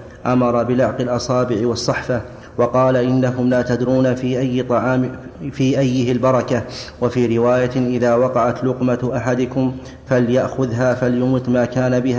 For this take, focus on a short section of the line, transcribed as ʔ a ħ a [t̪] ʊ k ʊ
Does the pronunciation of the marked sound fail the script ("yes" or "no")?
yes